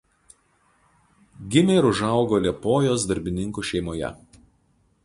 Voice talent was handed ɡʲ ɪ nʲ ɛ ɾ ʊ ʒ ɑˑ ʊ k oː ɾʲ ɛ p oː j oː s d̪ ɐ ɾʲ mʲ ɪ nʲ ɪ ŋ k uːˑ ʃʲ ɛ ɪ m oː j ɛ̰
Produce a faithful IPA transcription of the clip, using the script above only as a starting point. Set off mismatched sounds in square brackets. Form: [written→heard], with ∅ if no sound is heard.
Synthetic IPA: ɡʲ ɪ [nʲ→mʲ] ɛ ɾ ʊ ʒ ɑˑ ʊ [k→ɡ] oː [ɾʲ→lʲ] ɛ p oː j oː s d̪ ɐ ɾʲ [mʲ→bʲ] ɪ nʲ ɪ ŋ k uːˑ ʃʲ ɛ ɪ m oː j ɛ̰